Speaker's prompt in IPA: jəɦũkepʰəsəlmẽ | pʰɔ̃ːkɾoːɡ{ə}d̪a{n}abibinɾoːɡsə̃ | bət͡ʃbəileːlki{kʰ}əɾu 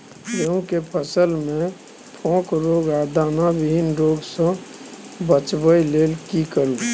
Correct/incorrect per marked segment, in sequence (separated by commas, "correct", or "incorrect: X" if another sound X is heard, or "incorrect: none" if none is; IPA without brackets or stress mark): incorrect: a, correct, incorrect: k